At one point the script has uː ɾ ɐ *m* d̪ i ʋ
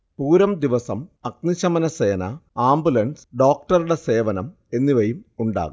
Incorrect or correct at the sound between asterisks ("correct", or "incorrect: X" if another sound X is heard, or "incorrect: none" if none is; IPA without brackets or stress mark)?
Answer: correct